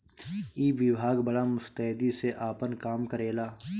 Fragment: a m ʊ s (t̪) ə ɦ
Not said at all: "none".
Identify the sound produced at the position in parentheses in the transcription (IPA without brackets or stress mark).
t̪